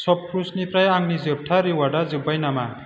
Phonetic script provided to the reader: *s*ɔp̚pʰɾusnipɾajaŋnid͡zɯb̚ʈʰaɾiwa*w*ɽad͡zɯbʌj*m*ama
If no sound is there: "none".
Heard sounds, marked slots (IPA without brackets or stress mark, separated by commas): s, none, n